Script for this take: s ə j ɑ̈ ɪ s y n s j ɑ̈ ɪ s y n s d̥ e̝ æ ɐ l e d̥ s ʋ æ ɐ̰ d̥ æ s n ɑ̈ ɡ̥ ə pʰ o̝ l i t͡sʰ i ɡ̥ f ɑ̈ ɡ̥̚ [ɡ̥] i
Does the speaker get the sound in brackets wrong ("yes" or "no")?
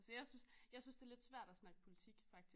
yes